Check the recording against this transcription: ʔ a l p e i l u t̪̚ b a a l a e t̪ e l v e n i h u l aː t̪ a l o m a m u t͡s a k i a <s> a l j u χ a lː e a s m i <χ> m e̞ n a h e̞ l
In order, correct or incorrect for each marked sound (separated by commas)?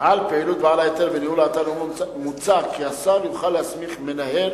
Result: correct, correct